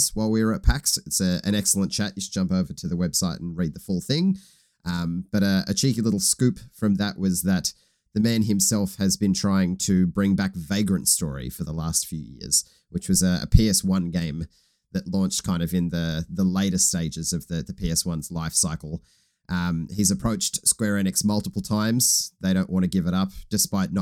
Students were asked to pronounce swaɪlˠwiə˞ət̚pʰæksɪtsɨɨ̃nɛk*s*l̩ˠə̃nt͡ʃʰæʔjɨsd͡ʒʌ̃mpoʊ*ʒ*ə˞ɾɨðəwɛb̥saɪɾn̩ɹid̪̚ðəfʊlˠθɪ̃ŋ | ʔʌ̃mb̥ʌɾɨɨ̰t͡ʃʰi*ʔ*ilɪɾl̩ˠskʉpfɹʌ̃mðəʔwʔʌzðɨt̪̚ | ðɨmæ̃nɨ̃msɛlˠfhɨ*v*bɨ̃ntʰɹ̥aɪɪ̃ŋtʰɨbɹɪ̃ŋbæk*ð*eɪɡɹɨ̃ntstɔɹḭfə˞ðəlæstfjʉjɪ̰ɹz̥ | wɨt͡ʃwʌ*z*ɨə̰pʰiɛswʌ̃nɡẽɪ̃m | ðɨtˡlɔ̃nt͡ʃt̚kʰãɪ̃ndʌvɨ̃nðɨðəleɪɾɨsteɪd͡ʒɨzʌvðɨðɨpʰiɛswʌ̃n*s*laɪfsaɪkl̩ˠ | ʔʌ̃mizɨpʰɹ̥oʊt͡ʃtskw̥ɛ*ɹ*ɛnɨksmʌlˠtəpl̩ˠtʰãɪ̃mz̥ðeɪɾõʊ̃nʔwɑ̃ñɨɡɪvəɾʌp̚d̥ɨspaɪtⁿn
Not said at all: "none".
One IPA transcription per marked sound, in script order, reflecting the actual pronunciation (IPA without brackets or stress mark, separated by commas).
s, v, k, z, v, z, z, ɹ